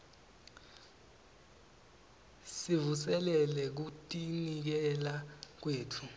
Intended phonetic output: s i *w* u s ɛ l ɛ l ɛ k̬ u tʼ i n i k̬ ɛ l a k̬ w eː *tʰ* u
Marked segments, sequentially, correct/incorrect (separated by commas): incorrect, correct